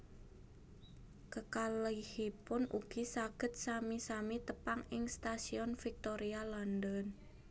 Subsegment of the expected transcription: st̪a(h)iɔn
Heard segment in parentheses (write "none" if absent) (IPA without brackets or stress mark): s